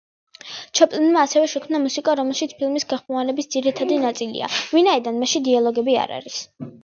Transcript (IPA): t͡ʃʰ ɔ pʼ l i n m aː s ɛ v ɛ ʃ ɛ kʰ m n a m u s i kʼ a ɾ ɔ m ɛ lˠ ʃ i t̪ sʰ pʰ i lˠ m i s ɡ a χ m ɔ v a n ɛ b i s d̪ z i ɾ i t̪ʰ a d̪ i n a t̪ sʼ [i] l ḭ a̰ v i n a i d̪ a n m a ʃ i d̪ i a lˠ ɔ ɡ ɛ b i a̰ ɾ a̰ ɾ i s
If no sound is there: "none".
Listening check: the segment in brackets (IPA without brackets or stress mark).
i